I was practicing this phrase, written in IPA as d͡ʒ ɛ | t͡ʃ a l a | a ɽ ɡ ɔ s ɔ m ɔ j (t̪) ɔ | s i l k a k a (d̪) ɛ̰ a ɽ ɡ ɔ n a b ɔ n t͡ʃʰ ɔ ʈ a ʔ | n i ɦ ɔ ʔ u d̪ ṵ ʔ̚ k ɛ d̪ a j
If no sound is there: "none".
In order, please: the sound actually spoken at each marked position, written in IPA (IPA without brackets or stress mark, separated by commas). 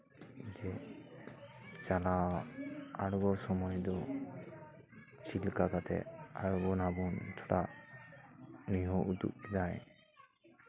d̪, t̪